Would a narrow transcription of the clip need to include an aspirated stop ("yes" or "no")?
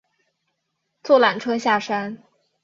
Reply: yes